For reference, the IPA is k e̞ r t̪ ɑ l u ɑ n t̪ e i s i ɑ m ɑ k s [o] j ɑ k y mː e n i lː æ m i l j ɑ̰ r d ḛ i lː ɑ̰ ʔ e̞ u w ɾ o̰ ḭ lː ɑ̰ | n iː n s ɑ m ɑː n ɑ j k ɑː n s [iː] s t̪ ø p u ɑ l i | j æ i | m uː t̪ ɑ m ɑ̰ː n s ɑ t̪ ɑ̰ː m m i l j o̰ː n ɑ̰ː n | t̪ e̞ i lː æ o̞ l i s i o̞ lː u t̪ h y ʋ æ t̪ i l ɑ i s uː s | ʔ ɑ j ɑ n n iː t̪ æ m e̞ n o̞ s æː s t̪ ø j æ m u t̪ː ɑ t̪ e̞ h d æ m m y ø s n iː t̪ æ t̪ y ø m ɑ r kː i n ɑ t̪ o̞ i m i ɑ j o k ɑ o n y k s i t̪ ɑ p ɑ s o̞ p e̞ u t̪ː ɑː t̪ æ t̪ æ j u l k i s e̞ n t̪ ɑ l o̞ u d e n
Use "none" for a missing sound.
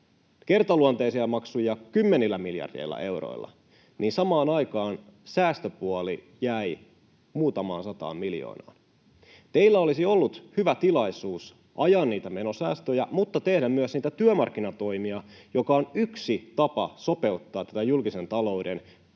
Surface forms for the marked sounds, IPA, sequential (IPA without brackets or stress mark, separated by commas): u, æː